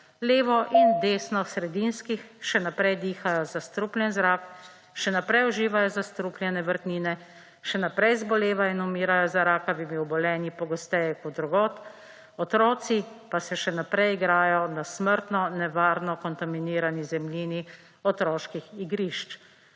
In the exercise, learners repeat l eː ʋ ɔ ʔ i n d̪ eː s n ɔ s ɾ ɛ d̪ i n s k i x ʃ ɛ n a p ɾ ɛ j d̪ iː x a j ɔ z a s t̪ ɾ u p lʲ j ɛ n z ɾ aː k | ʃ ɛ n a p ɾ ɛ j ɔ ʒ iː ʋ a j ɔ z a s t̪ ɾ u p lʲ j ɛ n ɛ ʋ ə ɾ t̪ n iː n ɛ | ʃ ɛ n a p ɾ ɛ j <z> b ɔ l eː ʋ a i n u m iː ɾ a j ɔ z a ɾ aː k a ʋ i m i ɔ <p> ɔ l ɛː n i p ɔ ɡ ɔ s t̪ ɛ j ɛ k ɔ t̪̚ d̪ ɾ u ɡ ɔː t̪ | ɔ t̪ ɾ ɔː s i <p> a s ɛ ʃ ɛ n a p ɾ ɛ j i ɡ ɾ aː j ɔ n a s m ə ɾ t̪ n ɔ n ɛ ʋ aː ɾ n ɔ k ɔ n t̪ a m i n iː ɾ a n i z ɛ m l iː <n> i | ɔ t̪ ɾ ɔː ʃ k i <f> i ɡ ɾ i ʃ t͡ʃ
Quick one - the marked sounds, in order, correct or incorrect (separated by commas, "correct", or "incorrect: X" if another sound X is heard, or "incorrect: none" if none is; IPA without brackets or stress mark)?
correct, incorrect: b, correct, correct, incorrect: x